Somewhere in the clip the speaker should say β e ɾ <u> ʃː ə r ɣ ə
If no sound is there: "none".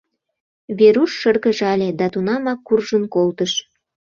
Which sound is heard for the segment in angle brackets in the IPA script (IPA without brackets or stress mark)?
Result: u